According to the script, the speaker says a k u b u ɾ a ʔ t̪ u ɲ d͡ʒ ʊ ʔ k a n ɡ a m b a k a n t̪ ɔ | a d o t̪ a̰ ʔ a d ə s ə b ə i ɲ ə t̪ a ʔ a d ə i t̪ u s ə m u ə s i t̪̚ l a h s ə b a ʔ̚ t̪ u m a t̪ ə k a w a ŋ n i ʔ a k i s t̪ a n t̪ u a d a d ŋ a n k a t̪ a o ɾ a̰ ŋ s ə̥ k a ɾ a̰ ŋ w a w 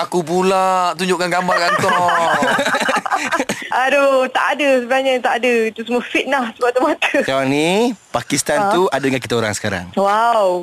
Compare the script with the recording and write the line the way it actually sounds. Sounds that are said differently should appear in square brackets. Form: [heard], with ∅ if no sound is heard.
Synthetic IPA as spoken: a k u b u [l] a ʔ t̪ u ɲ d͡ʒ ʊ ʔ k a n ɡ a m b a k a n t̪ ɔ | a d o t̪ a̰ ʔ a d ə s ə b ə [a] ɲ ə t̪ a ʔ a d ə i t̪ u s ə m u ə [f] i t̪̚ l a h s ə b a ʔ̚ t̪ u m a t̪ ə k a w a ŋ n i [p] a k i s t̪ a n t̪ u a d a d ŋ a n k [i] t̪ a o ɾ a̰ ŋ s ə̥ k a ɾ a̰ ŋ w a w